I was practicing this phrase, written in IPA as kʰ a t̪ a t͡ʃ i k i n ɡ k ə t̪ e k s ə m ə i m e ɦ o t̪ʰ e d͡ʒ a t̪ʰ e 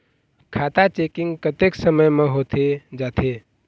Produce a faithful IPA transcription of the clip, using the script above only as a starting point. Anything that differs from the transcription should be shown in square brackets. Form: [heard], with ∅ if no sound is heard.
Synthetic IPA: kʰ a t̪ a t͡ʃ [e] k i [ŋ] ɡ k ə t̪ e k s ə m ə [j] m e ɦ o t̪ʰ e d͡ʒ a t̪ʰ e